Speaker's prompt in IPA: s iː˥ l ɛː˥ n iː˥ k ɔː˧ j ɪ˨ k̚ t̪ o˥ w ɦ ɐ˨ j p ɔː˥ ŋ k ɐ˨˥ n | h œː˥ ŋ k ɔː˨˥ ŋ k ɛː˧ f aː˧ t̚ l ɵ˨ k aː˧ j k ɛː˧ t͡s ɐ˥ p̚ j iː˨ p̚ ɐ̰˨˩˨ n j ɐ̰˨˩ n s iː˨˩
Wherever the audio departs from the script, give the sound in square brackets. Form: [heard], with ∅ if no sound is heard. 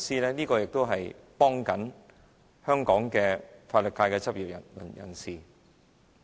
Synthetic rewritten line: s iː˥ l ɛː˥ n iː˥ k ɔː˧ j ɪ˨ k̚ t̪ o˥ w ɦ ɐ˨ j p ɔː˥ ŋ k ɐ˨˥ n | h œː˥ ŋ k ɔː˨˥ ŋ k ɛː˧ f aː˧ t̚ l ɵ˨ k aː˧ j k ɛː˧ t͡s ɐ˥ p̚ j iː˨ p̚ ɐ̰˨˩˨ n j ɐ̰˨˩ n s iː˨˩